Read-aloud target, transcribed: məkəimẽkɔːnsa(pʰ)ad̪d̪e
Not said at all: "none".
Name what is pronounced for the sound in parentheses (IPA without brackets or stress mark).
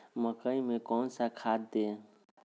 kʰ